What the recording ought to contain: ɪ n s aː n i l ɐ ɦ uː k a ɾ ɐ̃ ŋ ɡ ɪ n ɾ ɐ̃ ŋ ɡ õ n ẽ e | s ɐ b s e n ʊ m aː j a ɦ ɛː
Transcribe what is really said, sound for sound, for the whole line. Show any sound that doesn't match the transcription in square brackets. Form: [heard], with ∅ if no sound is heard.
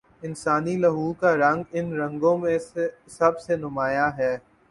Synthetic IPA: ɪ n s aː n i l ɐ ɦ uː k a ɾ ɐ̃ ŋ ɡ ɪ n ɾ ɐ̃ ŋ ɡ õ [m] ẽ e | s ɐ b s e n ʊ m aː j a ɦ ɛː

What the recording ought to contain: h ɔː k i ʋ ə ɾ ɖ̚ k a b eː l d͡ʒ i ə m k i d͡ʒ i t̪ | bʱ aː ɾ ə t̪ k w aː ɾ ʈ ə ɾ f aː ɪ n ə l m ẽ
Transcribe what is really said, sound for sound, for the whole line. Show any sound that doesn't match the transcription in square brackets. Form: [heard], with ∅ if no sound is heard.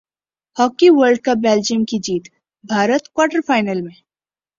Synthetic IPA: h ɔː k i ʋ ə ɾ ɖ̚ k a b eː l d͡ʒ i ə m k i d͡ʒ [iː] t̪ | bʱ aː ɾ ə t̪ k w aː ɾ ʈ ə ɾ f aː ɪ n ə l m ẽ

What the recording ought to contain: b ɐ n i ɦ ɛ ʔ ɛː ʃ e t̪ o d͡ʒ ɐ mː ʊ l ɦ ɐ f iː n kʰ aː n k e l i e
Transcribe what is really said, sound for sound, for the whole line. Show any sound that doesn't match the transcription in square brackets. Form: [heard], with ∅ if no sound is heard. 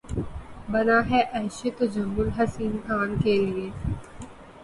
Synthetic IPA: b ɐ n [a] ɦ ɛ ʔ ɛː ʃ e t̪ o d͡ʒ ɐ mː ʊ l ɦ ɐ [s] iː n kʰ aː n k e l i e

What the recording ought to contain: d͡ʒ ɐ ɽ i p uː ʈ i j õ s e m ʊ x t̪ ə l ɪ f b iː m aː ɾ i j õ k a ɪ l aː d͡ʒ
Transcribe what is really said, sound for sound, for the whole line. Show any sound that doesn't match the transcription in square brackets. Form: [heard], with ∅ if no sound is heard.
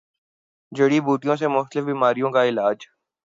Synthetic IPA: d͡ʒ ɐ ɽ i [b] uː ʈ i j õ s e m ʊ x t̪ ə l ɪ f b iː m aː ɾ i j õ k a ɪ l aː d͡ʒ

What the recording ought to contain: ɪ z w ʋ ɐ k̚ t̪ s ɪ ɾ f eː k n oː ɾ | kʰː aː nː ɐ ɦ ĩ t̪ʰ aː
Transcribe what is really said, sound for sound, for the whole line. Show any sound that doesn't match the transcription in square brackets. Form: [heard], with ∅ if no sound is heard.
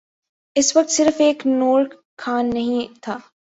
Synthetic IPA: ɪ [s] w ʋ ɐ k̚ t̪ s ɪ ɾ f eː k n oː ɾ | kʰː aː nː ɐ ɦ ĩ t̪ʰ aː

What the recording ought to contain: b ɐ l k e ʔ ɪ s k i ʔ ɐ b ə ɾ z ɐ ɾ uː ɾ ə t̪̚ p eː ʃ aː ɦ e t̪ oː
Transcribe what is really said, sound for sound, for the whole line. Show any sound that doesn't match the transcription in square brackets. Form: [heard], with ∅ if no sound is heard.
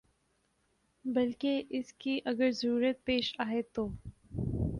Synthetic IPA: b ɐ l k e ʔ ɪ s k i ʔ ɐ [ɡ] ə ɾ z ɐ ɾ uː ɾ ə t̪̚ p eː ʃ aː ɦ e t̪ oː

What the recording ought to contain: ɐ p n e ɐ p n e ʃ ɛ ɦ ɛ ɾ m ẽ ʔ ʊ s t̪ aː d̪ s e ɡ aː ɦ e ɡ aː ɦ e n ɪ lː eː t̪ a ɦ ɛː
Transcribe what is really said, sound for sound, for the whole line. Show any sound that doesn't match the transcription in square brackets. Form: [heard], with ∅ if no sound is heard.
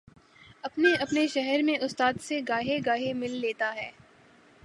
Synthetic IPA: ɐ p n e ɐ p n e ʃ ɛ ɦ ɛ ɾ m ẽ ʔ ʊ s t̪ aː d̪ s e ɡ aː ɦ e ɡ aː ɦ e [m] ɪ lː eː t̪ a ɦ ɛː

